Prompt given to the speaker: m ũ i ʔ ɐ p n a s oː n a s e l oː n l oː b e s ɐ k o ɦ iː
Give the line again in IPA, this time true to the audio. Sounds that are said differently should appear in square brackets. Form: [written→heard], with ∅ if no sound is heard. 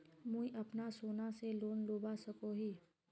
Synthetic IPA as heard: m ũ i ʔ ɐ p n a s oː n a s e l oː n l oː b [e→a] s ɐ k o ɦ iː